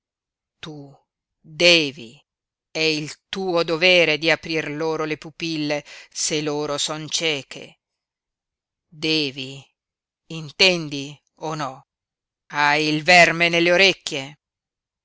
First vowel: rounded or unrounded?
rounded